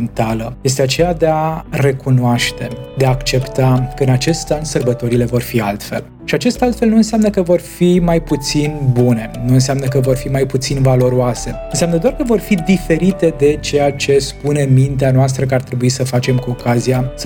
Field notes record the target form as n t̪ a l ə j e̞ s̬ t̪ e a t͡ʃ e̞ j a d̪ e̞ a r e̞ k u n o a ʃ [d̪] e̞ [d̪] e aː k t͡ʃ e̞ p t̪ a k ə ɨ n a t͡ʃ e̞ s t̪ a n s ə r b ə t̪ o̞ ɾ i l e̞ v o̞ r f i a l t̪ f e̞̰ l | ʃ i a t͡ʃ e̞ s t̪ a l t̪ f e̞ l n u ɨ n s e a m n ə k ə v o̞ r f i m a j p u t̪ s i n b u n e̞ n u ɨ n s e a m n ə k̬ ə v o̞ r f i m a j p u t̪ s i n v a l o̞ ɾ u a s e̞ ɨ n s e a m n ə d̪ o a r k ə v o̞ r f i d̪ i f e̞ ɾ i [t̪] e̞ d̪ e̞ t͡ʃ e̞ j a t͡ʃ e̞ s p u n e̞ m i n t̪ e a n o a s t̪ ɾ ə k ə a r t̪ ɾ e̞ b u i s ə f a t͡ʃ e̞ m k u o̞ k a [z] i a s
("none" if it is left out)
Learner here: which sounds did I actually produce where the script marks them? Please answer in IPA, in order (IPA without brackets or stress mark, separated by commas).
t̪, d̪, t̪, z